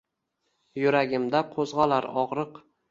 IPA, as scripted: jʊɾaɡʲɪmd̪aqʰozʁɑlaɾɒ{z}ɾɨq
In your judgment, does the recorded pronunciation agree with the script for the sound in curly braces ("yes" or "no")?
no